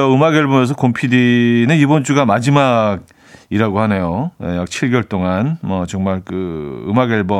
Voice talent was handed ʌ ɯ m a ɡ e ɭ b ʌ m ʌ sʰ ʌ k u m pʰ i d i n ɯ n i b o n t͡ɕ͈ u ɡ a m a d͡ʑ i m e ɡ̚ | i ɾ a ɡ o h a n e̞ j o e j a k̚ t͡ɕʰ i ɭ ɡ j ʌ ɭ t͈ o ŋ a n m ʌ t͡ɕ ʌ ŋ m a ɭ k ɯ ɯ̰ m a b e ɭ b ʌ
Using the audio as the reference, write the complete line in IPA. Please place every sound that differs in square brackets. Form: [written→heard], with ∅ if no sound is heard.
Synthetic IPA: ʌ ɯ m a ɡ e ɭ b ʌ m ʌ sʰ ʌ k [u→o] m pʰ i d i n ɯ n i b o n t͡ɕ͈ u ɡ a m a d͡ʑ i m [e→a] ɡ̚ | i ɾ a ɡ o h a n e̞ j o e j a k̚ t͡ɕʰ i ɭ ɡ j ʌ ɭ t͈ o ŋ a n m ʌ t͡ɕ ʌ ŋ m a ɭ k ɯ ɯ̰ m a [b→ɡ] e ɭ b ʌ